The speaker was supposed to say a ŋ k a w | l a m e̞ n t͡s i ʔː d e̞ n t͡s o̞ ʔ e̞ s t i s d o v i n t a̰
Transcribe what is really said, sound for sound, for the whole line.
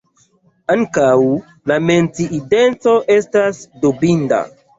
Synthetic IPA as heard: a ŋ k a w | l a m e̞ n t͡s i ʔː d e̞ n t͡s o̞ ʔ e̞ s t a s d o b i n d a̰